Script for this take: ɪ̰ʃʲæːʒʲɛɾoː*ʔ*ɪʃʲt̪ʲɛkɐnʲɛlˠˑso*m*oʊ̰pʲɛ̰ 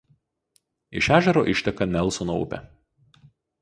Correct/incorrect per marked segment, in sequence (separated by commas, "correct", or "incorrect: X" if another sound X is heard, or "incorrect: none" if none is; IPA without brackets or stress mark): correct, incorrect: n